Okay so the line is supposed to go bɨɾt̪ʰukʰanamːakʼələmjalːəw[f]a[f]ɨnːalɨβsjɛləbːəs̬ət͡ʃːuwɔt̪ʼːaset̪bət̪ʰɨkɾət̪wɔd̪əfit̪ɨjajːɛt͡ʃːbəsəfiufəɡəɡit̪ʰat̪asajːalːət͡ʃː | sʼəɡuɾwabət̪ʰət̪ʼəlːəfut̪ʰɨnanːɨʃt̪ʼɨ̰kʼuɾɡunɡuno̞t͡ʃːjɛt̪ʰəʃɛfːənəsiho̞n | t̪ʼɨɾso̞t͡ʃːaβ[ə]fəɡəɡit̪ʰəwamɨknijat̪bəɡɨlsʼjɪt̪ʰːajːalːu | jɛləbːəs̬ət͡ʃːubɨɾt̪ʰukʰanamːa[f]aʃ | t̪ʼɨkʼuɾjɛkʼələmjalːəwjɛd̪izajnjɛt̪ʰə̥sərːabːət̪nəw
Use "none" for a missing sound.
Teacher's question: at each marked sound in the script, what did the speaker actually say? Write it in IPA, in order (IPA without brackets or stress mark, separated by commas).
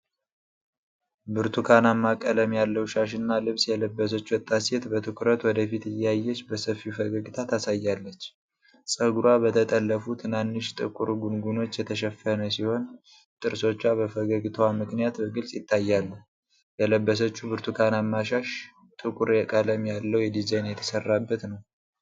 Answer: ʃ, ʃ, ə, ʃ